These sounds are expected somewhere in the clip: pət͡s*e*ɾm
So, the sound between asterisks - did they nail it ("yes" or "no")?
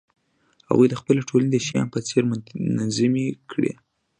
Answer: yes